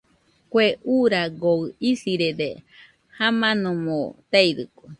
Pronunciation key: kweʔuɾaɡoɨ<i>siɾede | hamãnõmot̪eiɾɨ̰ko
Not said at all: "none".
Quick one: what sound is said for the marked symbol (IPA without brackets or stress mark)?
i